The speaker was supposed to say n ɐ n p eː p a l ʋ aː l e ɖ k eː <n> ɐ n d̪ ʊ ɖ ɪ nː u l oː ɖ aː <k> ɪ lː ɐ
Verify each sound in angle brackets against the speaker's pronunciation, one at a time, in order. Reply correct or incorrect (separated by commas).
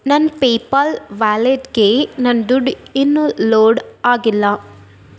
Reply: correct, incorrect